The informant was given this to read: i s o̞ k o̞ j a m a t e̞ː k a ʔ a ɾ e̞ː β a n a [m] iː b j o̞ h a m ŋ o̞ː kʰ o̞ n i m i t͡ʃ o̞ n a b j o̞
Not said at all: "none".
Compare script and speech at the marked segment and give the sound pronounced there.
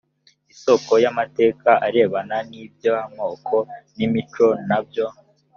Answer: n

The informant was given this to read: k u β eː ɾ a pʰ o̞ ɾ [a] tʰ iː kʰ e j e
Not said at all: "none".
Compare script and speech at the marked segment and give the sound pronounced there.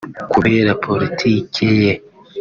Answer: i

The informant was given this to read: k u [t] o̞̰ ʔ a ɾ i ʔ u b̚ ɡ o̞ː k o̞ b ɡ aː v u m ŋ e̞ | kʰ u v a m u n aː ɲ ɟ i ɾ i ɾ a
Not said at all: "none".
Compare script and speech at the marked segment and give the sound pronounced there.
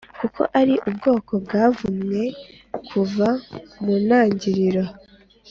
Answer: k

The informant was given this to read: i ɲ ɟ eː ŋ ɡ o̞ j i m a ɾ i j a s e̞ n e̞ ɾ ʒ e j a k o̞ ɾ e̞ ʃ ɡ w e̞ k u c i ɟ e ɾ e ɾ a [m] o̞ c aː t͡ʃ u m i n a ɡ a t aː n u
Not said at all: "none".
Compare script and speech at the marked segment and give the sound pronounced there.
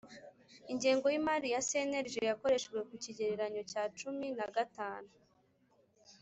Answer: ɲ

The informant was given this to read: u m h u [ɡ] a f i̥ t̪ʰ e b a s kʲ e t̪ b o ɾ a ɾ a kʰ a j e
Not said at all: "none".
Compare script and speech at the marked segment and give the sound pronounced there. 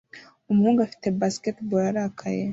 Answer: ɡ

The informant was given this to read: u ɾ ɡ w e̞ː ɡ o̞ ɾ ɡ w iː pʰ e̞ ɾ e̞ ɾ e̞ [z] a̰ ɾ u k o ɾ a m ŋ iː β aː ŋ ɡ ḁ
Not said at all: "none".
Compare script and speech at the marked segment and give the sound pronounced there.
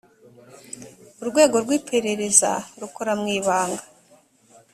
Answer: z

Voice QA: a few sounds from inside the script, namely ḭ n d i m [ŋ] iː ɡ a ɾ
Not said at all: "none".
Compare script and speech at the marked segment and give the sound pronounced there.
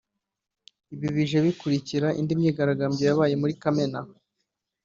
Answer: ɲ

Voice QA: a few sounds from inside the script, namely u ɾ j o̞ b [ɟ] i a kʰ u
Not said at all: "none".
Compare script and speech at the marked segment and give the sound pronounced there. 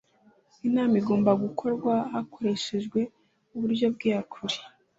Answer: ɡ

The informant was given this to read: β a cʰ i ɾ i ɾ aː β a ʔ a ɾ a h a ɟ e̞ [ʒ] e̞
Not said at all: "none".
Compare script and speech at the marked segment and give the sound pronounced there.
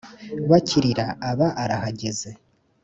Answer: z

